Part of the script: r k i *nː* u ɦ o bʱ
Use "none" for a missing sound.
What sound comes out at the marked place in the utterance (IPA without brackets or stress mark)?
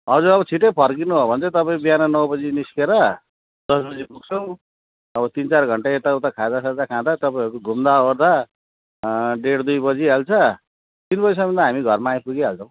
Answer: n